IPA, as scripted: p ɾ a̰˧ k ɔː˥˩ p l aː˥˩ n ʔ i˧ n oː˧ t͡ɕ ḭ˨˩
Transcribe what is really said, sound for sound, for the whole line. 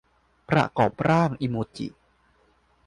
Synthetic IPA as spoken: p ɾ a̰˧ k ɔː˨˩ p ɾ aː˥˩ ŋ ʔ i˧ m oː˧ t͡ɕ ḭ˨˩